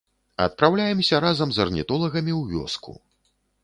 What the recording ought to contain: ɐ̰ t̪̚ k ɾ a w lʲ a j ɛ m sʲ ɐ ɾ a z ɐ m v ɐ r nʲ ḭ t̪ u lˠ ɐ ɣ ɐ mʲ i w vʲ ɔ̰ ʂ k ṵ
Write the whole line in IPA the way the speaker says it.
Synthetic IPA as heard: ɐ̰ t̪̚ p ɾ a w lʲ a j ɛ m sʲ ɐ ɾ a z ɐ m z ɐ r nʲ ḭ t̪ ɔ lˠ ɐ ɣ ɐ mʲ i w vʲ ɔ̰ s k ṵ